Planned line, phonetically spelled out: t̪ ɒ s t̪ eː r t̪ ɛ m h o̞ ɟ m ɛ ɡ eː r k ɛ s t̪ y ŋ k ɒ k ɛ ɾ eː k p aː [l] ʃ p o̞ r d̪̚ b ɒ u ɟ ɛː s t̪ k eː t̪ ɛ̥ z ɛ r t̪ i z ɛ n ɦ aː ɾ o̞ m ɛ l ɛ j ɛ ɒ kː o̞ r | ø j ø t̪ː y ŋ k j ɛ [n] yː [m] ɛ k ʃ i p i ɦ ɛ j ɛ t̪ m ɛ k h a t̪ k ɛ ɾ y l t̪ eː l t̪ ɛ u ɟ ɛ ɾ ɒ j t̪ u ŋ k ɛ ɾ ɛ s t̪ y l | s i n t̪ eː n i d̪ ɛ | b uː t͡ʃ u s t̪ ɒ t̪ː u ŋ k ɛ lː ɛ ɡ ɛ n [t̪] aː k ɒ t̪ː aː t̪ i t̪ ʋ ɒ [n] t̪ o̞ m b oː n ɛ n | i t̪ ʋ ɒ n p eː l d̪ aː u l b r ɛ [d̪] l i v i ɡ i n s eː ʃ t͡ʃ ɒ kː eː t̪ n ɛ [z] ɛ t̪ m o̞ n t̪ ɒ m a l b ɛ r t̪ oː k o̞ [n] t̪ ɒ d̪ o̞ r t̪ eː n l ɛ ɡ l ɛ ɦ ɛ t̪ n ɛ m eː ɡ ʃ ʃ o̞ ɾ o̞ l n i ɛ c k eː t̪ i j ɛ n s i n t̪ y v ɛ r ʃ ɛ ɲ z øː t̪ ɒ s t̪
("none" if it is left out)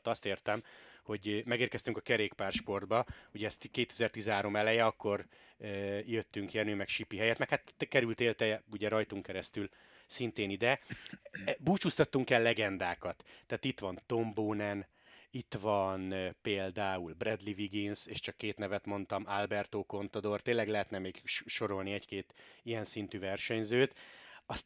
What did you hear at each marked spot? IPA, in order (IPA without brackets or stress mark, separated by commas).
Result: r, n, m, d̪, n, d̪, v, n